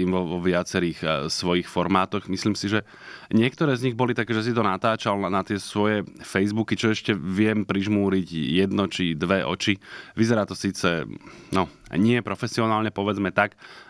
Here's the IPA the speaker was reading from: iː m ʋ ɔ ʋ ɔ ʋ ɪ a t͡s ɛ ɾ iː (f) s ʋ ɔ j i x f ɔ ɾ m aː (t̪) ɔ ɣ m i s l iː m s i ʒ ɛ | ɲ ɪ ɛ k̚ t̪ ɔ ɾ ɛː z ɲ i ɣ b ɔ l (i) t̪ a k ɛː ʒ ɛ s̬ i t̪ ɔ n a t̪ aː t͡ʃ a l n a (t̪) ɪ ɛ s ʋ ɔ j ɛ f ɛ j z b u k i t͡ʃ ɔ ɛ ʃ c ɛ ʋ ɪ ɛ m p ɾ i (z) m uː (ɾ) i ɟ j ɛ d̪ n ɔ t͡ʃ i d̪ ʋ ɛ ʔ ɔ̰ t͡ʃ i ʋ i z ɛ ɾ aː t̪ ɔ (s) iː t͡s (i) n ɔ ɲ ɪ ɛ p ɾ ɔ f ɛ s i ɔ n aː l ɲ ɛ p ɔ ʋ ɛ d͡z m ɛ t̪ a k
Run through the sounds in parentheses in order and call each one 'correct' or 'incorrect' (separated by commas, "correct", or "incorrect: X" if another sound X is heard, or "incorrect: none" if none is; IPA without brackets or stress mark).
incorrect: x, correct, correct, correct, incorrect: ʒ, correct, correct, incorrect: ɛ